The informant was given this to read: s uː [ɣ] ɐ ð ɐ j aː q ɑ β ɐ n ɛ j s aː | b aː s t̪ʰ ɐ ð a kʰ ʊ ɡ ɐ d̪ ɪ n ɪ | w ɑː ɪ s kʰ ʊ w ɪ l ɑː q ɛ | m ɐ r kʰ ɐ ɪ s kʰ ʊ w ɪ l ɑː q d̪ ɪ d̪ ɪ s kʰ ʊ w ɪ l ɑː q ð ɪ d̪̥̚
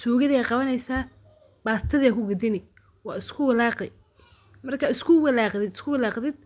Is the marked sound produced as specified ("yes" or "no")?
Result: yes